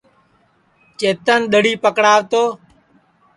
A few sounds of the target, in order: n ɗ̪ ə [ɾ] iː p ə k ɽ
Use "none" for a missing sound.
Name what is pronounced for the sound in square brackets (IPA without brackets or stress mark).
ɽ